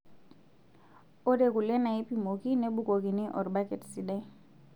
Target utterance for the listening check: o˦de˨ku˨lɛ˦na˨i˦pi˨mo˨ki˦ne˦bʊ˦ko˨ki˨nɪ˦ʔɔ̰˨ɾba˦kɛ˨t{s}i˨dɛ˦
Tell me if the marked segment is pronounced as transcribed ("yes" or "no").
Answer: yes